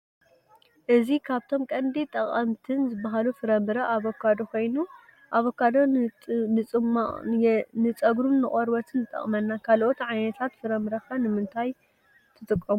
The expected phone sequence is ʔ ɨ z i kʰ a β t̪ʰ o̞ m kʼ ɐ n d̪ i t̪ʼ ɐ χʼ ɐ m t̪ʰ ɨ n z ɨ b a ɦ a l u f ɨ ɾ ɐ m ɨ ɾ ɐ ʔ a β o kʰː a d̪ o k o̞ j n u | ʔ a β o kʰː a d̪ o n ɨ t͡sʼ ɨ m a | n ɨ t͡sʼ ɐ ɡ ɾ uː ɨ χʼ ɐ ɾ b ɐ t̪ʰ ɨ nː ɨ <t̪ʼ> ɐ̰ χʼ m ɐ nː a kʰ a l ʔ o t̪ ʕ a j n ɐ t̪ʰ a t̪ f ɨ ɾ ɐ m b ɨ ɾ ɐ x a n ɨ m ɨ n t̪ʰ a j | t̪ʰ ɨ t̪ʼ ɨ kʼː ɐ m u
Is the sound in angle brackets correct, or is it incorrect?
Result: correct